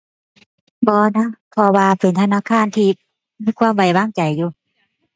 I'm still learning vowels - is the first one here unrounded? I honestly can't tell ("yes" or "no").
no